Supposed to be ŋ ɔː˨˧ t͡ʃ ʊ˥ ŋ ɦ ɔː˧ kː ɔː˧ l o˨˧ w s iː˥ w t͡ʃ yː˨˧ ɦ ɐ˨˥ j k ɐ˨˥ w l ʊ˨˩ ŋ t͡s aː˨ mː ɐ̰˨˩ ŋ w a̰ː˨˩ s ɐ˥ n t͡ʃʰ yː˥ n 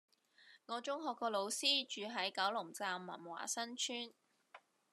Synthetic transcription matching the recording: ŋ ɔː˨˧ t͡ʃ ʊ˥ ŋ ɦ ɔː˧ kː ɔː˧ l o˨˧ w s iː˥ t͡ʃ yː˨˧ ɦ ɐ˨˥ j k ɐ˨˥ w l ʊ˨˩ ŋ t͡s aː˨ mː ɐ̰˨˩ n w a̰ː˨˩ s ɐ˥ n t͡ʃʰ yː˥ n